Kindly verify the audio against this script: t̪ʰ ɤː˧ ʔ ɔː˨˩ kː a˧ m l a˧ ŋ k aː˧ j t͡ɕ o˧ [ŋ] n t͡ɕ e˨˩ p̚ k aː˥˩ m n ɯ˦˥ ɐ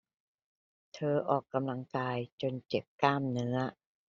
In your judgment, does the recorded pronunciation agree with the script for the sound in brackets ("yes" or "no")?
no